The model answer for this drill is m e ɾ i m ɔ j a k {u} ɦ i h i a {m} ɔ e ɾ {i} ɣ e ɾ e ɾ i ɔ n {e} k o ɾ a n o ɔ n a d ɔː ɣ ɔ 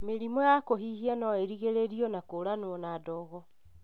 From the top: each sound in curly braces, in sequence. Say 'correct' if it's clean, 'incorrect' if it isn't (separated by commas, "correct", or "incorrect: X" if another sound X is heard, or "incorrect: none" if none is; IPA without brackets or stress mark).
incorrect: o, incorrect: n, correct, incorrect: a